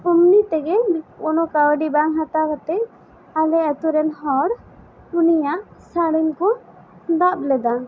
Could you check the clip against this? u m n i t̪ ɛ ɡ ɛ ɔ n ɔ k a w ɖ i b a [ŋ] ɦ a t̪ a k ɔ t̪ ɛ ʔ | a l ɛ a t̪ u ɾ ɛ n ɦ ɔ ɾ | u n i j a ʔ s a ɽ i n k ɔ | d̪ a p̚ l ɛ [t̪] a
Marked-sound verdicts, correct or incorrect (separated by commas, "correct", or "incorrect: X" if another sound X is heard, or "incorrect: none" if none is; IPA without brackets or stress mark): correct, incorrect: d̪